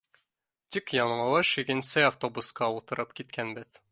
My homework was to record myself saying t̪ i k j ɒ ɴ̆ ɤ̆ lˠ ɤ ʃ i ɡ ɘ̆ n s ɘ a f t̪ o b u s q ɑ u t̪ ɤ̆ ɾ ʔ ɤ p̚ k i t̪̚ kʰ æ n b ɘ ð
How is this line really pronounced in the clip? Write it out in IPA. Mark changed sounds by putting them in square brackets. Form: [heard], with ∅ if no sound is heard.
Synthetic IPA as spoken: t̪ i k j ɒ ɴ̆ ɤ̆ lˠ ɤ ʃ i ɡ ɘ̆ n s ɘ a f t̪ o b u s q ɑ u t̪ ɤ̆ ɾ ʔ ɤ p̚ k i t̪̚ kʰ æ n b ɘ ð